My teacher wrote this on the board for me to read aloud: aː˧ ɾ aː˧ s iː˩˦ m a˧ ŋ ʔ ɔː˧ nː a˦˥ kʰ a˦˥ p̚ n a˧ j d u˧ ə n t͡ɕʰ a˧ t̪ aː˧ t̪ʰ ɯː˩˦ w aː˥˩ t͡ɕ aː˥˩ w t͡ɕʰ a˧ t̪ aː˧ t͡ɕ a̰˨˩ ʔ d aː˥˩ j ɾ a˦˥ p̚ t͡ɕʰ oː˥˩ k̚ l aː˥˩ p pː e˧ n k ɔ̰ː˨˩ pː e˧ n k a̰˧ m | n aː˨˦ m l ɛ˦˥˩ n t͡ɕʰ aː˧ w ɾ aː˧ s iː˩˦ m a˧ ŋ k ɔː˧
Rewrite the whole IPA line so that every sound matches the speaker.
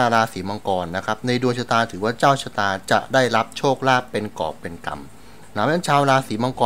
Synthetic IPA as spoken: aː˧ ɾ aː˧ s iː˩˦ m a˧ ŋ k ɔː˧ nː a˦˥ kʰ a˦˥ p̚ n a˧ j d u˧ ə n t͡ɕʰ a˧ t̪ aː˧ t̪ʰ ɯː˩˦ w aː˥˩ t͡ɕ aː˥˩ w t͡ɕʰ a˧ t̪ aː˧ t͡ɕ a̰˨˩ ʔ d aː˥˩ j ɾ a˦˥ p̚ t͡ɕʰ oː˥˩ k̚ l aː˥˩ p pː e˧ n k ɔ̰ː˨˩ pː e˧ n k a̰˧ m | n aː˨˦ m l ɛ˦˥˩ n t͡ɕʰ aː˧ w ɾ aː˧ s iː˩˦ m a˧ ŋ k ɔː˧